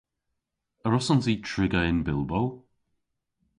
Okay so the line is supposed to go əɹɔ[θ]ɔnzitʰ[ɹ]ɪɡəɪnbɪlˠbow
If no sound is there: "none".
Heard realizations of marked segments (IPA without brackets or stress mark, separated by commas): s, ɹ